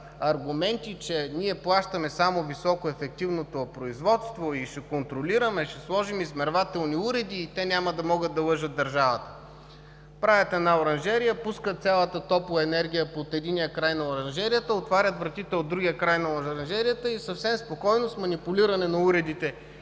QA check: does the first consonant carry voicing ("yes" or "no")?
yes